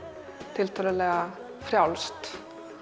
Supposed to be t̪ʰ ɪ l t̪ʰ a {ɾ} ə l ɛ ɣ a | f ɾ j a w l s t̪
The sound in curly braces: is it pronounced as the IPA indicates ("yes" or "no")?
no